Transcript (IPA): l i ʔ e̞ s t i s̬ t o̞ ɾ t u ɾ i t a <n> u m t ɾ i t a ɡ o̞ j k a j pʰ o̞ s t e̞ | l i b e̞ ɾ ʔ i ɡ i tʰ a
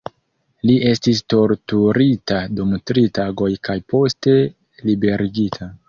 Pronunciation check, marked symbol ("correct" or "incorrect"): incorrect